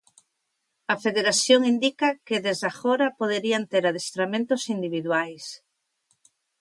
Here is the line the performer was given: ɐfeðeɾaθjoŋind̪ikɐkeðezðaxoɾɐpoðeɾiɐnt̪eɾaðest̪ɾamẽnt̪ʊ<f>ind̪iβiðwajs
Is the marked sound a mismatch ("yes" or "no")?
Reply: yes